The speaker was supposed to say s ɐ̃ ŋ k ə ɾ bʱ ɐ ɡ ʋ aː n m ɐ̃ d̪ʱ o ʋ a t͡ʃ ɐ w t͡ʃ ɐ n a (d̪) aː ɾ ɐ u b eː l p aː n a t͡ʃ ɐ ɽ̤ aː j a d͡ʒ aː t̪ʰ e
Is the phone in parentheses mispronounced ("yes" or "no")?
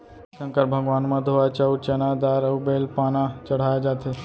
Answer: no